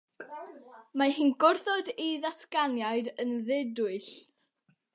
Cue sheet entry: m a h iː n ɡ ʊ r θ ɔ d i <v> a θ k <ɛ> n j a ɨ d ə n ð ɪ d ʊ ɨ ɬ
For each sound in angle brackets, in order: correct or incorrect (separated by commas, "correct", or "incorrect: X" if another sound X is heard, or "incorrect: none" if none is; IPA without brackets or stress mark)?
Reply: incorrect: ð, incorrect: a